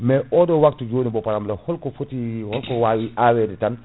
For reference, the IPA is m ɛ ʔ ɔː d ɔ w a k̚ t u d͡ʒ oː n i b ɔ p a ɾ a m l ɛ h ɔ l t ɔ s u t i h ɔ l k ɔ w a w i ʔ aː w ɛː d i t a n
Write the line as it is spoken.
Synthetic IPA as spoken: m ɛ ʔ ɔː d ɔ w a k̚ t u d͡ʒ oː n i b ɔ p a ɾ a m l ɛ h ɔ l k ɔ f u t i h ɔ l k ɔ w a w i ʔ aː w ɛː d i t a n